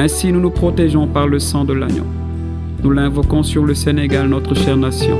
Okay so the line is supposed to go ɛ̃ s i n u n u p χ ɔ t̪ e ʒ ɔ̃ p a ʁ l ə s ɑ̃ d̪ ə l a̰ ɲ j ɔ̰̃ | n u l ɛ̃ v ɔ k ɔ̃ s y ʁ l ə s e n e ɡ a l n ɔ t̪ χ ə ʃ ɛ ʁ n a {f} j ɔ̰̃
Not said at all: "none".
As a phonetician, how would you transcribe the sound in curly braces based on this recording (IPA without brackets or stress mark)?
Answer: s